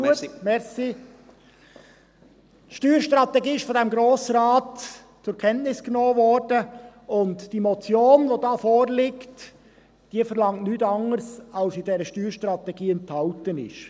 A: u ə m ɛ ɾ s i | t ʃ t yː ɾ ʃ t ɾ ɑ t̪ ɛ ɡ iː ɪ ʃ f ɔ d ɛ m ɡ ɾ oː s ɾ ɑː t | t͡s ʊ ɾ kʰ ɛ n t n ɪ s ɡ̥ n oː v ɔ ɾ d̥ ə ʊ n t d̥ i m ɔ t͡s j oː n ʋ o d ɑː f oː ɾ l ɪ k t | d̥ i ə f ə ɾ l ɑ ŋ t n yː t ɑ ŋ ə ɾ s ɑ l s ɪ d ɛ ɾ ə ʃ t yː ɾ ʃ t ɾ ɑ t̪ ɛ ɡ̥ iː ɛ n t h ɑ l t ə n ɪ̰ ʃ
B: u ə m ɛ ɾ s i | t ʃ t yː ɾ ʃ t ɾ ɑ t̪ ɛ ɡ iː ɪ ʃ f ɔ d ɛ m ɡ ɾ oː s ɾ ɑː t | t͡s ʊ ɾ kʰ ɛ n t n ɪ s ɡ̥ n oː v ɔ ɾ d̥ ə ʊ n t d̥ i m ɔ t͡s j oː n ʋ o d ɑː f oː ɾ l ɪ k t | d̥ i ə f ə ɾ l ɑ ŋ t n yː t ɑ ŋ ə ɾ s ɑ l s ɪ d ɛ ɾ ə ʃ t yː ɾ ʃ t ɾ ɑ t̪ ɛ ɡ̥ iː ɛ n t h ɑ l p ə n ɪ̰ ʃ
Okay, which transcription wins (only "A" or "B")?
A